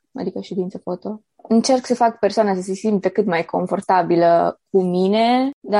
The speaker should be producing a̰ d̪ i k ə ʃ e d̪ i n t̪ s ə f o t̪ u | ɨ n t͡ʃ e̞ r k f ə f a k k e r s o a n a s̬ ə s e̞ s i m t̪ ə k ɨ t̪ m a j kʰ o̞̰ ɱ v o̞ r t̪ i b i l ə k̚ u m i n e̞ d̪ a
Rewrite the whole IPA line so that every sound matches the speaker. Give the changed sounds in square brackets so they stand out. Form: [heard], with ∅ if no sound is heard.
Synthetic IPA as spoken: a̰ d̪ i k ə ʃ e d̪ i n t̪ s ə f o t̪ [o] | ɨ n t͡ʃ e̞ r k [s] ə f a k [p] e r s o a n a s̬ ə s e̞ s i m t̪ ə k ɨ t̪ m a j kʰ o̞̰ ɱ [f] o̞ r t̪ [a] b i l ə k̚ u m i n e̞ d̪ a